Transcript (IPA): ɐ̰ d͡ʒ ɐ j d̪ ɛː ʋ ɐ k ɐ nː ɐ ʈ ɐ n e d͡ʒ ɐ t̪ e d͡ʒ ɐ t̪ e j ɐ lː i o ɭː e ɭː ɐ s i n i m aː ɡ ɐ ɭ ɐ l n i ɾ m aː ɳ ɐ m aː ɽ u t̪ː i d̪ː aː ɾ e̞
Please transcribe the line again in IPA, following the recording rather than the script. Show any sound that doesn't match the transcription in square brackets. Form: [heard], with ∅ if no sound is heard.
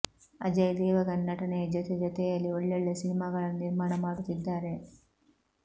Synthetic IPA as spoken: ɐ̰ d͡ʒ ɐ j d̪ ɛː ʋ ɐ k ɐ nː ɐ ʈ ɐ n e d͡ʒ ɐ t̪ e d͡ʒ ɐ t̪ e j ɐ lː i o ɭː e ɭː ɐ s i n i m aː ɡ ɐ ɭ ɐ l n i ɾ m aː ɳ ɐ m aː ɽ u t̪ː i d̪ː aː ɾ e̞